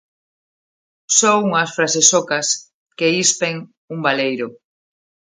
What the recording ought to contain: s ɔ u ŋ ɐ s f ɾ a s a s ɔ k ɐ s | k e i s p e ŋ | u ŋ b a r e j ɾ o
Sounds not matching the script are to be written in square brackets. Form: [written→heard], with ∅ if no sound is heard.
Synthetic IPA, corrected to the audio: s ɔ u ŋ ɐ s f ɾ a s [a→e] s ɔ k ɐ s | k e i s p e ŋ | u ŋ b a [r→l] e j ɾ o